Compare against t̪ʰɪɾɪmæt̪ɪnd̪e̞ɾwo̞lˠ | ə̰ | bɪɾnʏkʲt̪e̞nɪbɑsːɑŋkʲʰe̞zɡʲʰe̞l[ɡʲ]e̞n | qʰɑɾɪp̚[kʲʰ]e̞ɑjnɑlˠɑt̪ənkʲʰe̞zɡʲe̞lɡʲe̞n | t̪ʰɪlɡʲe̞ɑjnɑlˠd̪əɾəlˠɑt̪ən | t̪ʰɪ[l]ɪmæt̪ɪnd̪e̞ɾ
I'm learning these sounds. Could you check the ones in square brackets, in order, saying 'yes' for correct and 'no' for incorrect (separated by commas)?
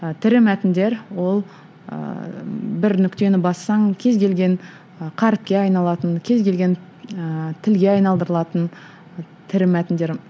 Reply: yes, no, no